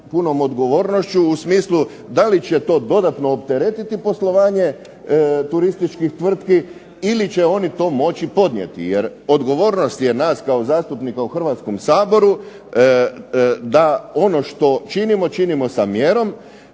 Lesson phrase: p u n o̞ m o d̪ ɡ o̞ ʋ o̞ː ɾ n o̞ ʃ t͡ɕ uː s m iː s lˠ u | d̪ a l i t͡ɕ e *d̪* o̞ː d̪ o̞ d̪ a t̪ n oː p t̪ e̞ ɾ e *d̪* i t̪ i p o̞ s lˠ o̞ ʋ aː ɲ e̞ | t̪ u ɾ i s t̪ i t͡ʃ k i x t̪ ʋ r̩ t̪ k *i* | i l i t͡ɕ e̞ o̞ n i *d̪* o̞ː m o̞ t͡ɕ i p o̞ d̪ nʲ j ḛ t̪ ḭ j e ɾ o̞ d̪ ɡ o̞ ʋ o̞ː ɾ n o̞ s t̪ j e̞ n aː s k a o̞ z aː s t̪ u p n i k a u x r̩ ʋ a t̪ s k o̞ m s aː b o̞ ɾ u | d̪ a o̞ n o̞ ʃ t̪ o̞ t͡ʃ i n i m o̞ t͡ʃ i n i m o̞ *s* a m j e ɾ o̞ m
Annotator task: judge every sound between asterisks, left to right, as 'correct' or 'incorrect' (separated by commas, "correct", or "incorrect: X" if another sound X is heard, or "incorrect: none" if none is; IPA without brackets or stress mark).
incorrect: t̪, incorrect: t̪, correct, incorrect: t̪, correct